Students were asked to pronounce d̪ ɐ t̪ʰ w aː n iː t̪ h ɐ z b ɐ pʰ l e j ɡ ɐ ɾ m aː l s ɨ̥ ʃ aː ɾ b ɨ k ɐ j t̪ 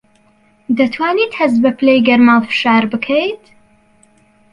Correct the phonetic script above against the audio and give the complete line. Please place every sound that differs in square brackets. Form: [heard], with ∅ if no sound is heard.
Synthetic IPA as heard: d̪ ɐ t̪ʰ w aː n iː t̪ h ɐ z b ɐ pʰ l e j ɡ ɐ ɾ m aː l [f] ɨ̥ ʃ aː ɾ b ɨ [kʰ] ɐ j t̪